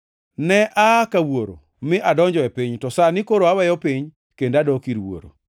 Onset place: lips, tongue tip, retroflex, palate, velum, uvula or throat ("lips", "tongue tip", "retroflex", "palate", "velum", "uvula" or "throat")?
tongue tip